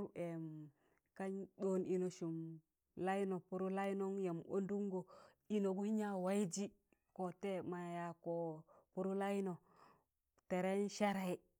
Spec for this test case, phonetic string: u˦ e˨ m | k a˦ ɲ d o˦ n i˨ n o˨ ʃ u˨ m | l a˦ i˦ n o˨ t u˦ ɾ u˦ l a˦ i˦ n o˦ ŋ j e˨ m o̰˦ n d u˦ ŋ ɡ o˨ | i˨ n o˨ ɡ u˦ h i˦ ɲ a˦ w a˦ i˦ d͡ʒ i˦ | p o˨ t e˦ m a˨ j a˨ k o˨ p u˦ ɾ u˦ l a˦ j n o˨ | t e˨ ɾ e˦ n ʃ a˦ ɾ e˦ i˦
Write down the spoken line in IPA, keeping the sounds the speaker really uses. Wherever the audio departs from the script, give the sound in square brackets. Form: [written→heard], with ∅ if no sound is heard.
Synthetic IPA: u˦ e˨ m | k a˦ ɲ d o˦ n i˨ n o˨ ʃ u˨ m | l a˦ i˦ n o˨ [t→p] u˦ ɾ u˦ l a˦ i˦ n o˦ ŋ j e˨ m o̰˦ n d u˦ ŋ ɡ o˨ | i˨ n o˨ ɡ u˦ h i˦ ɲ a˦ w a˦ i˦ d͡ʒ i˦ | [p→k] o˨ t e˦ m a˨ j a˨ k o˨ p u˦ ɾ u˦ l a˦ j n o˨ | t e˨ ɾ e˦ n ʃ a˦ ɾ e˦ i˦

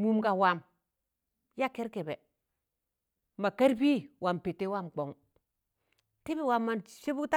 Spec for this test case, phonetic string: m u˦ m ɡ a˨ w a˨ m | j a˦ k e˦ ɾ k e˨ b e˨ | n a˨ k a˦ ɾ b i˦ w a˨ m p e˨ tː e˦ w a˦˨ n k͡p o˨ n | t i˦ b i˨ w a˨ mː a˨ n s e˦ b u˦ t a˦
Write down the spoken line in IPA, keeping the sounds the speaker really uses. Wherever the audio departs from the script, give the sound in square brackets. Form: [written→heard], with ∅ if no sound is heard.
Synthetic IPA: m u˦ m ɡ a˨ w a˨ m | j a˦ k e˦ ɾ k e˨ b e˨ | [n→m] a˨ k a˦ ɾ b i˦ w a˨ m p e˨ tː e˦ w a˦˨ [n→m] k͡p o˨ [n→ŋ] | t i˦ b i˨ w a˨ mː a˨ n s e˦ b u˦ t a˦

